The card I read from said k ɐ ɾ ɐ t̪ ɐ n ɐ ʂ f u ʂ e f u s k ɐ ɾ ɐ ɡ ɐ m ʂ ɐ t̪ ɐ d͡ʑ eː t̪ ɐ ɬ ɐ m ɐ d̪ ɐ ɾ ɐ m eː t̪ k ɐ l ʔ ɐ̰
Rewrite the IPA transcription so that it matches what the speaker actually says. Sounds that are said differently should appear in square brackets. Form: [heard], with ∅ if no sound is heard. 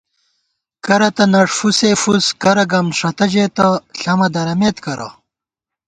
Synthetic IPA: k ɐ ɾ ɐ t̪ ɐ n ɐ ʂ f u [s] e f u s k ɐ ɾ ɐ ɡ ɐ m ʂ ɐ t̪ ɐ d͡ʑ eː t̪ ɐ ɬ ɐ m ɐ d̪ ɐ ɾ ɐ m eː t̪ k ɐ [ɾ] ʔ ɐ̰